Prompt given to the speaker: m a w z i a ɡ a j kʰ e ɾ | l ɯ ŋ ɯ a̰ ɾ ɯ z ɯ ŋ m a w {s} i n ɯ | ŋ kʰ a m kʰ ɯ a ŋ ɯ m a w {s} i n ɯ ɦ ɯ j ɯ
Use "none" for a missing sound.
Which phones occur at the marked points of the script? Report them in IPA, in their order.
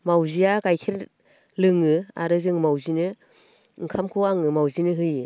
z, z

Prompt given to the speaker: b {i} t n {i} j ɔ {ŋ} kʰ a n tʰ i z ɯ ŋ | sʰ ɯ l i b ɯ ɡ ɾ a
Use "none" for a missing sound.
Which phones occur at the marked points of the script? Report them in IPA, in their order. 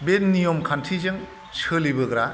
e, i, m

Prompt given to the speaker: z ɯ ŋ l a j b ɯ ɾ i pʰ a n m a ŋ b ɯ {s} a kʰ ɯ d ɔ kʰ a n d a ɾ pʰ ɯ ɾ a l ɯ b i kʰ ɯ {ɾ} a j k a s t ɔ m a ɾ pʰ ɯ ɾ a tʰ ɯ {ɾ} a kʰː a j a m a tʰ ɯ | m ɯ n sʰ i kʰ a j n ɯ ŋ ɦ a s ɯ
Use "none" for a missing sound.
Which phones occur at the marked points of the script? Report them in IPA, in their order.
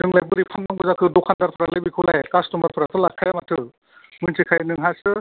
z, l, l

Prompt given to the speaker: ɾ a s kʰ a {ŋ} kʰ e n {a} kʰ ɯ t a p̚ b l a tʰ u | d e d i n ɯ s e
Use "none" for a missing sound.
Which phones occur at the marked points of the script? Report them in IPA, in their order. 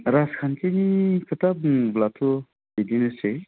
n, i

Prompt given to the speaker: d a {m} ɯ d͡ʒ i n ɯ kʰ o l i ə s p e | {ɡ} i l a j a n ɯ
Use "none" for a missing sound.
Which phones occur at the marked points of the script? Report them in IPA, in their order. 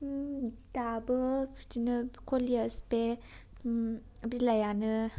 b, b

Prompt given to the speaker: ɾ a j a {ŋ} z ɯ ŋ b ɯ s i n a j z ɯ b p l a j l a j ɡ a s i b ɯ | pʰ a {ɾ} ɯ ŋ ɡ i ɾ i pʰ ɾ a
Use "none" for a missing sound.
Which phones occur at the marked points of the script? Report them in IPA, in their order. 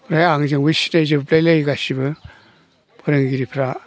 ŋ, ɾ

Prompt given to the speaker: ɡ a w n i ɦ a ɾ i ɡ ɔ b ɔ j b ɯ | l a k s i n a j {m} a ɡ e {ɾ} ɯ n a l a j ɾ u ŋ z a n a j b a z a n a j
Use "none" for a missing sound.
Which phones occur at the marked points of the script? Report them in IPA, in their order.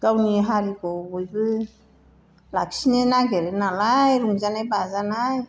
n, ɾ

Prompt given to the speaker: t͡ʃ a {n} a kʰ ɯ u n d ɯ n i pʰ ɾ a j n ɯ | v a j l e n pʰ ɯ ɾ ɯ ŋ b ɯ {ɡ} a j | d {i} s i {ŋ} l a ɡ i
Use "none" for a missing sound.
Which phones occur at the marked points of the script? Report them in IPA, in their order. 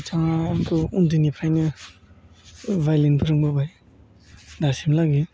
ŋ, b, a, m

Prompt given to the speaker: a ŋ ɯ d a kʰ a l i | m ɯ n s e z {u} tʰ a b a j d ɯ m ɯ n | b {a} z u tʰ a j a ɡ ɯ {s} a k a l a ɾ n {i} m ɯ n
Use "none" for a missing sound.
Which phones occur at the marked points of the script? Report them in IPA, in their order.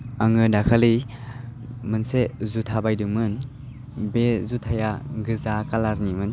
u, e, z, i

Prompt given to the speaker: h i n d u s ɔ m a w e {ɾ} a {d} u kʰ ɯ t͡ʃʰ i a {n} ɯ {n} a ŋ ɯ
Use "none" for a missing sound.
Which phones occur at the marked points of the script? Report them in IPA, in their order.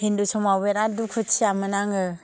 ɾ, d, m, n

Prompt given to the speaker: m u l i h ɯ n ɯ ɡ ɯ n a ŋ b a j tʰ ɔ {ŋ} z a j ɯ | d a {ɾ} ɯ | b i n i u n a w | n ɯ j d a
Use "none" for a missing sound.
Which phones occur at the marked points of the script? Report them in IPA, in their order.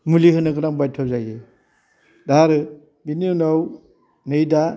none, ɾ

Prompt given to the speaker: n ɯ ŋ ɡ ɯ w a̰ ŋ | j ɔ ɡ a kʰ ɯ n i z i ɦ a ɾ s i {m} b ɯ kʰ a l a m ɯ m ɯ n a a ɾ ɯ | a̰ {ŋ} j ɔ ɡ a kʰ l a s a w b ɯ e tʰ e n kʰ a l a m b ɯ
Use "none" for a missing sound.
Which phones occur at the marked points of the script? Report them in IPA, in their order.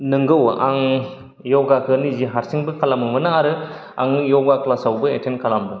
ŋ, ŋ

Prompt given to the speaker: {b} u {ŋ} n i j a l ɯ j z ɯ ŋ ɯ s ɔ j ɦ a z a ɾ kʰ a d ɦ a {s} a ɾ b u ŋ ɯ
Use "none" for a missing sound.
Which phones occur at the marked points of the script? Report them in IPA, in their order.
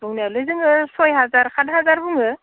b, ŋ, z

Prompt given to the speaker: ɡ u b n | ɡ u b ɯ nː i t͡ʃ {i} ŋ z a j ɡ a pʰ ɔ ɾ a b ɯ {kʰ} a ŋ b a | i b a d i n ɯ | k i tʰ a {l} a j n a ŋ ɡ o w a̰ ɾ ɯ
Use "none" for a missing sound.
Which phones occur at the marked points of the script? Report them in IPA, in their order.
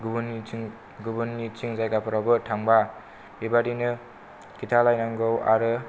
i, tʰ, l

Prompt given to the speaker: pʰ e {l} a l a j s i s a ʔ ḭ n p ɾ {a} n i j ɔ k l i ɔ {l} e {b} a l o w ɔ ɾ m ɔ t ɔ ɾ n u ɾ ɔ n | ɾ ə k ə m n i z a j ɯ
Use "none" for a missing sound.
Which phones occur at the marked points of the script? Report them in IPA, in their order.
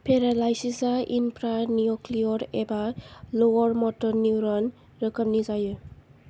ɾ, a, ɾ, b

